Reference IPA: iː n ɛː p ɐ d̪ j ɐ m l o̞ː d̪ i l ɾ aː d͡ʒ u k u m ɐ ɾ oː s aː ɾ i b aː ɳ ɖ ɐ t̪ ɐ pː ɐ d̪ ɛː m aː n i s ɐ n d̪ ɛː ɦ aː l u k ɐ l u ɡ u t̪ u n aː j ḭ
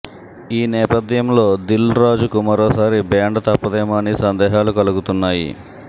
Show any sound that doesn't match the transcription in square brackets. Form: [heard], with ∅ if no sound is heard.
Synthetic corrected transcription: iː n ɛː p ɐ d̪ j ɐ m l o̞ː d̪ i l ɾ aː d͡ʒ u k u m ɐ ɾ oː s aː ɾ i b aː ɳ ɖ ɐ t̪ ɐ pː ɐ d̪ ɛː m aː n i s ɐ n d̪ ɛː ɦ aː l u k ɐ l u ɡ u t̪ u [nː] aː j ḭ